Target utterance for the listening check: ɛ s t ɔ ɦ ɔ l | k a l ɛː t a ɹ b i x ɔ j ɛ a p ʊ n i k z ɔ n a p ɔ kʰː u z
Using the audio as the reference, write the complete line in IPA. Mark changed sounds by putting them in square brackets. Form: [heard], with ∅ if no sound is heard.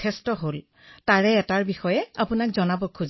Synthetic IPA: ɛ s t ɔ ɦ [o] l | [t] a [ɹ] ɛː t a ɹ b i x ɔ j ɛ a p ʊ n [a] k z ɔ n a [b] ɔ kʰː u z